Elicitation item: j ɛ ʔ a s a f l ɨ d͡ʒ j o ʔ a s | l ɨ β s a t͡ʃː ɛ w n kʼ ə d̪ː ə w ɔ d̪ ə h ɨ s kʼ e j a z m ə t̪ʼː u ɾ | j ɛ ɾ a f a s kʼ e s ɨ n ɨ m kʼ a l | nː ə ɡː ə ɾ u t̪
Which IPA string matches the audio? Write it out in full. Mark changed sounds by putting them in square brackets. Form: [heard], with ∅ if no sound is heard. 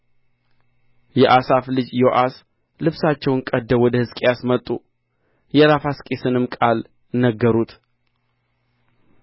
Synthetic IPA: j ɛ ʔ a s a f l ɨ d͡ʒ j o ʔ a s | l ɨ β s a t͡ʃː ɛ w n kʼ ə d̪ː ə w ɔ d̪ ə h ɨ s kʼ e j a [s] m ə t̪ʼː u [∅] | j ɛ ɾ a f a s kʼ e s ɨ n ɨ m kʼ a l | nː ə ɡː ə ɾ u t̪